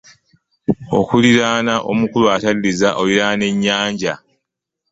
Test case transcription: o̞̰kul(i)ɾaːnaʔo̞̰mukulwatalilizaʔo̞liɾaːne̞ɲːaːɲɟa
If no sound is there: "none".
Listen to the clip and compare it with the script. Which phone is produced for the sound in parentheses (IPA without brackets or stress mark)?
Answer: i